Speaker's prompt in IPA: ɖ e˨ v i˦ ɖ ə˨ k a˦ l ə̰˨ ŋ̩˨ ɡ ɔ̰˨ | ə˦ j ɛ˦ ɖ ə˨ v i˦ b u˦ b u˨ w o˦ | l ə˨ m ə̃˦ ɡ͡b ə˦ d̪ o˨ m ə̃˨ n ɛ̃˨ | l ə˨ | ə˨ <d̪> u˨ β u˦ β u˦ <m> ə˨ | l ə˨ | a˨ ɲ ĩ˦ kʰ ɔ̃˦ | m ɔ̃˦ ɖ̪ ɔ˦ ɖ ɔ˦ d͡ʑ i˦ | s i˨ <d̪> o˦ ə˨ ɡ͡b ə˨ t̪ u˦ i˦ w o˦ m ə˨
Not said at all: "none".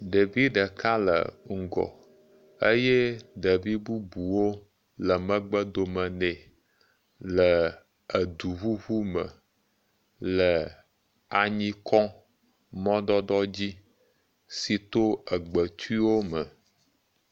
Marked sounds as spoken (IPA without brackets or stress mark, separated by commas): d̪, m, t̪